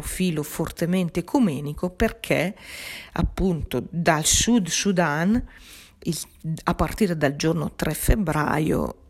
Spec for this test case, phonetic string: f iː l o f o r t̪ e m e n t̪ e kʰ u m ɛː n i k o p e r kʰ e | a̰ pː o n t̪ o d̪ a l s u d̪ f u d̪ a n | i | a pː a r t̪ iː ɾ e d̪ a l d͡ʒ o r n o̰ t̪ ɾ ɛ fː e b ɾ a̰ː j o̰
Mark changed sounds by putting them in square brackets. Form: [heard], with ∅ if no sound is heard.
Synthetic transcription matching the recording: f iː l o f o r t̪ e m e n t̪ e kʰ u m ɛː n i k o p e r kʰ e | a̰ pː [u] n t̪ o d̪ a l s u d̪ [s] u d̪ a n | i | a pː a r t̪ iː ɾ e d̪ a l d͡ʒ o r n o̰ t̪ ɾ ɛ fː e b ɾ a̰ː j o̰